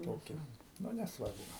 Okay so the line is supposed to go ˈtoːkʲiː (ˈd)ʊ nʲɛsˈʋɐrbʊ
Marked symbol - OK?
no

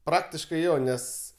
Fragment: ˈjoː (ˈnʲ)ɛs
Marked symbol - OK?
yes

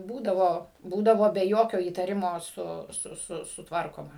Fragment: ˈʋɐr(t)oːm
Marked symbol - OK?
no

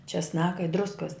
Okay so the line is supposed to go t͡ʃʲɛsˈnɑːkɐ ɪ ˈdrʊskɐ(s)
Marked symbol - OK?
yes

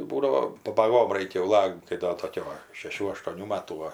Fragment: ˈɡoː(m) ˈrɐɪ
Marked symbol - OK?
yes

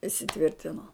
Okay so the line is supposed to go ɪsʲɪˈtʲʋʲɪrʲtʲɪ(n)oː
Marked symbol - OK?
yes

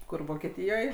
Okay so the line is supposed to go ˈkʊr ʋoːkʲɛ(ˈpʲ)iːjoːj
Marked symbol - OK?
no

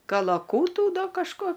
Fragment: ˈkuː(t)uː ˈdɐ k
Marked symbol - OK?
yes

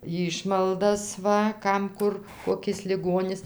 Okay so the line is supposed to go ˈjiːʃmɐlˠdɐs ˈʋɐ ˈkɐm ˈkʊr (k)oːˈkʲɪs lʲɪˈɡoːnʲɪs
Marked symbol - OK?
yes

